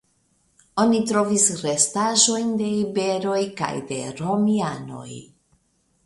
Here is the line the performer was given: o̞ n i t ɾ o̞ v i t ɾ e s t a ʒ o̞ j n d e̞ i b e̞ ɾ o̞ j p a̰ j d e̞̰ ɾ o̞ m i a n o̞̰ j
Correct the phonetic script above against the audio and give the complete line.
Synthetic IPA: o̞ n i t ɾ o̞ v i s ɾ e s t a ʒ o̞ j n d e̞ i b e̞ ɾ o̞ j k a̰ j d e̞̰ ɾ o̞ m i a n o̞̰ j